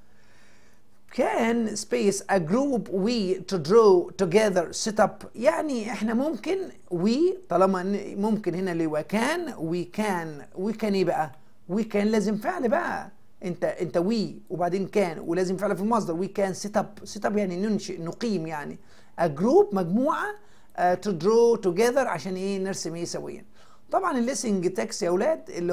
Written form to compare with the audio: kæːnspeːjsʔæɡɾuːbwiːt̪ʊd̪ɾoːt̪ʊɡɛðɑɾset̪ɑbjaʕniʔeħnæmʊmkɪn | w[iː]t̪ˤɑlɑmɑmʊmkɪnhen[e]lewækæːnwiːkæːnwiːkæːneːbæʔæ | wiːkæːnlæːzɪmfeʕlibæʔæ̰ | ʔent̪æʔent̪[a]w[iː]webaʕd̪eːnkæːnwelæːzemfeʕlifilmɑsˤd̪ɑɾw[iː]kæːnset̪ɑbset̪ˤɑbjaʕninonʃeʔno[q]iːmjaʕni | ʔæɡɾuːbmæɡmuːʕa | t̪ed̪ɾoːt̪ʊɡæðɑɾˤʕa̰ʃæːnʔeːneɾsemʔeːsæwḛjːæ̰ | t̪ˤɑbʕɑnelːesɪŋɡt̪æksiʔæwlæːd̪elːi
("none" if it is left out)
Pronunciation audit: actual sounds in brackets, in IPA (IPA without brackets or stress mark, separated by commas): iː, æ, æ, iː, iː, q